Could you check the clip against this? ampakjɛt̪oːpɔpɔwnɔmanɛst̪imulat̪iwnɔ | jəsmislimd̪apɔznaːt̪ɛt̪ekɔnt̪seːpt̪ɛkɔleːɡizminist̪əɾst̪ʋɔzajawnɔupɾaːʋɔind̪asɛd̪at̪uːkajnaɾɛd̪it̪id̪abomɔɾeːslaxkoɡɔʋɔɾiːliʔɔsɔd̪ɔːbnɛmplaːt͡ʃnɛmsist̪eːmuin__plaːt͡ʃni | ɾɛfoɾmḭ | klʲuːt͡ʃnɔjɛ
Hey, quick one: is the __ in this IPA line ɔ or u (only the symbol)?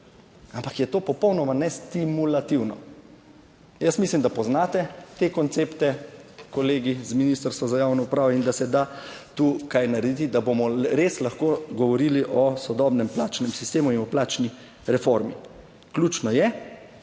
ɔ